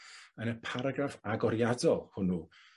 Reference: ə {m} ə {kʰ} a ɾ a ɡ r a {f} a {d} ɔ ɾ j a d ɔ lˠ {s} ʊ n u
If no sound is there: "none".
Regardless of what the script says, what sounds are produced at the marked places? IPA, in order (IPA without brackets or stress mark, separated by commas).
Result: n, pʰ, f, ɡ, h